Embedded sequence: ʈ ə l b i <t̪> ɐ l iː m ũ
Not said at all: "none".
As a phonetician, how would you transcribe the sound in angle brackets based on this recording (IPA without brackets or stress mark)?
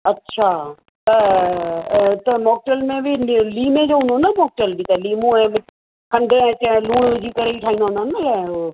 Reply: t̪